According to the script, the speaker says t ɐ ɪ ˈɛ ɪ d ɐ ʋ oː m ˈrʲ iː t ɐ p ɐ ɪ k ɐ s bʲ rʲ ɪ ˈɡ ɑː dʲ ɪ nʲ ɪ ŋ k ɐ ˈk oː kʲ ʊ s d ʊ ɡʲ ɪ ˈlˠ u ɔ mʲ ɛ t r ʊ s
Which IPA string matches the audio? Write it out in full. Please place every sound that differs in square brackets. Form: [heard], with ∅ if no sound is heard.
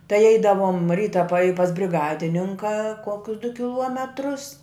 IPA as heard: t ɐ ɪ ˈɛ ɪ d ɐ ʋ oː m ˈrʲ iː t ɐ p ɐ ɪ [p] ɐ s bʲ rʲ ɪ ˈɡ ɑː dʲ ɪ nʲ ɪ ŋ k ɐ ˈk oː kʲ ʊ s d ʊ [kʲ] ɪ ˈlˠ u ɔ mʲ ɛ t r ʊ s